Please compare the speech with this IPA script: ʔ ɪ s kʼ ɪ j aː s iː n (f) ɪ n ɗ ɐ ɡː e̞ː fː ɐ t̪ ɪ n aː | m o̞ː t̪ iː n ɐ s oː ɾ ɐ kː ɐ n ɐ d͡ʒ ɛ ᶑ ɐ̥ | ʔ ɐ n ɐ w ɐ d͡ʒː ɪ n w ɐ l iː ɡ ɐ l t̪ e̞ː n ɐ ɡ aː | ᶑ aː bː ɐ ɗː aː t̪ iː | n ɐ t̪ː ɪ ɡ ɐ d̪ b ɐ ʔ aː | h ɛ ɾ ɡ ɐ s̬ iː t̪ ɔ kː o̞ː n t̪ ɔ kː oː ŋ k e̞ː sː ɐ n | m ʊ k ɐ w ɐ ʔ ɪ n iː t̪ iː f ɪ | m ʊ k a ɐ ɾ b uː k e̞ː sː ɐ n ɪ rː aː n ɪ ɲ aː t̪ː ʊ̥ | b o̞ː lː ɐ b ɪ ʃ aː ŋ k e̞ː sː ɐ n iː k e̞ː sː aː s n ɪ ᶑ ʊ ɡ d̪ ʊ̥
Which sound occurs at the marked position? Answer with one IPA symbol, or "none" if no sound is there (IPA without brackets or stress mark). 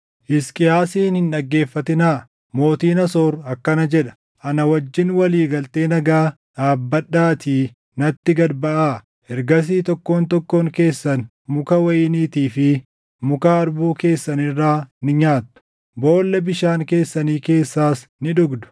h